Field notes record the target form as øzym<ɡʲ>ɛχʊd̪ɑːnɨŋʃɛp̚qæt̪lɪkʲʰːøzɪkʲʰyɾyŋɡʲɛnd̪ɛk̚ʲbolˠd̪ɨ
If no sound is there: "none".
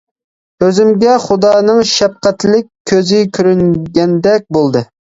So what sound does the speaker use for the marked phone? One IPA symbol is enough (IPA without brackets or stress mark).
ɡʲ